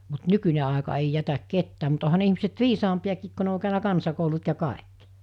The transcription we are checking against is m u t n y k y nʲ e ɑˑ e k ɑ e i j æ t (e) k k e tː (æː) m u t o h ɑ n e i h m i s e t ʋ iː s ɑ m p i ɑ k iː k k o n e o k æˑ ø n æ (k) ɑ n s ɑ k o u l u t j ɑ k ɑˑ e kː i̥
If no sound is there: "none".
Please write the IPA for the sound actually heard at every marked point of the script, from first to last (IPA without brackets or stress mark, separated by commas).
æ, æː, k